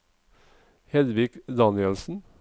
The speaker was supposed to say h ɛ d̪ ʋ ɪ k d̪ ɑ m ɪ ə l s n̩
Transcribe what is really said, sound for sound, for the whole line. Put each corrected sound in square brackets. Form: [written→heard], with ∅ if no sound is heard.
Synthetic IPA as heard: h ɛ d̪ ʋ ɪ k d̪ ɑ [m→n] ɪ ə l s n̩